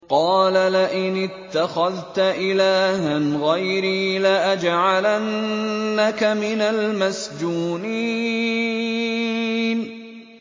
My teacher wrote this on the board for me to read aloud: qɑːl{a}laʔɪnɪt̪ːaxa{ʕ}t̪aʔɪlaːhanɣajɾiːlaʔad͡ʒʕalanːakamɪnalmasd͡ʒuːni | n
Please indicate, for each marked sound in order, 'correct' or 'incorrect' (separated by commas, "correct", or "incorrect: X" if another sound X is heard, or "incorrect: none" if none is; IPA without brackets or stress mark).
correct, incorrect: ð